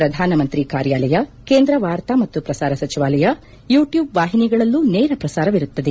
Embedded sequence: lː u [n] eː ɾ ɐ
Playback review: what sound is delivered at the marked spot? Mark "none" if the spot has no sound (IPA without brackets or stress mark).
n